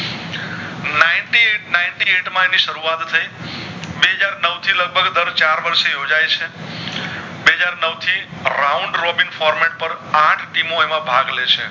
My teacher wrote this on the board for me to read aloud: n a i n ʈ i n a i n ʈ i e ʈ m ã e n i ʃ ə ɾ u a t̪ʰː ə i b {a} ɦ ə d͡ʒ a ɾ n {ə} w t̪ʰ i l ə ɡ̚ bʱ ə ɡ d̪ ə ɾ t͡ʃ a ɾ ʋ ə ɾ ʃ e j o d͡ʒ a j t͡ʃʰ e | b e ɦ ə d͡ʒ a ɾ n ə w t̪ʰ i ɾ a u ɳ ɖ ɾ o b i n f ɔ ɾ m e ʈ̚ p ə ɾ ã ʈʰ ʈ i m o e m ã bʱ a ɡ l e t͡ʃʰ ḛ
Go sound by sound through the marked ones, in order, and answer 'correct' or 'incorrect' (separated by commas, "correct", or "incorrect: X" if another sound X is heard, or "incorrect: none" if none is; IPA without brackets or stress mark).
incorrect: e, correct